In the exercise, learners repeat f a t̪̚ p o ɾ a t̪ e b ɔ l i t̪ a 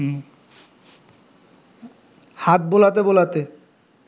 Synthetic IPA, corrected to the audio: h a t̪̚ b o l a t̪ e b o l a t̪ e